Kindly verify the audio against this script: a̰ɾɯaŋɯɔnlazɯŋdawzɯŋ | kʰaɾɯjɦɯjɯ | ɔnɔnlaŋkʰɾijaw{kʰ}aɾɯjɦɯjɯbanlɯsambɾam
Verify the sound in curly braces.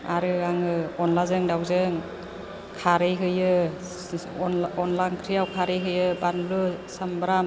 correct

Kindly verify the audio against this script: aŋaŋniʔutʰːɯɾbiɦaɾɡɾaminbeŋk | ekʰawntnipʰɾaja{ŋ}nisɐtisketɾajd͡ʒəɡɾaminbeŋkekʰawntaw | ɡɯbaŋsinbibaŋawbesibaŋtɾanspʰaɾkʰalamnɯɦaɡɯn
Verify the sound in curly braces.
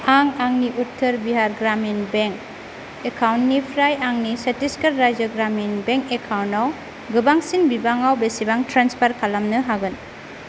correct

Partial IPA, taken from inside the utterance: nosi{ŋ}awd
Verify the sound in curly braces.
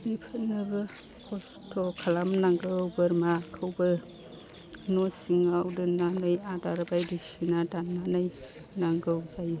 correct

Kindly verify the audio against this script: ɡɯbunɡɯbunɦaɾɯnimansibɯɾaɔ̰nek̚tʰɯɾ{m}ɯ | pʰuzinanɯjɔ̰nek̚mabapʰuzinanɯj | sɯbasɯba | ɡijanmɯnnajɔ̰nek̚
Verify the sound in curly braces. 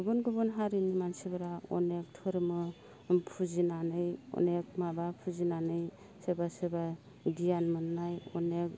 correct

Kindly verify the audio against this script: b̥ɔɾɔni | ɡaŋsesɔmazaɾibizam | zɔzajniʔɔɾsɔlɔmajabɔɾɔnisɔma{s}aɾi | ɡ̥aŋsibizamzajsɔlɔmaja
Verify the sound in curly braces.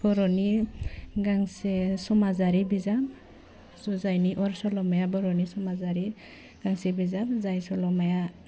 incorrect: z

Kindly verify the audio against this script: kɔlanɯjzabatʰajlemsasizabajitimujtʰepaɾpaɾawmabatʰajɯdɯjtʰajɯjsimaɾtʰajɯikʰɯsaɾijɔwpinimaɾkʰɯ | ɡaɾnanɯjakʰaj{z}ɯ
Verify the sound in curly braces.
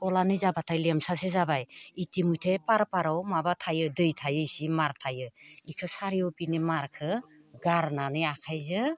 correct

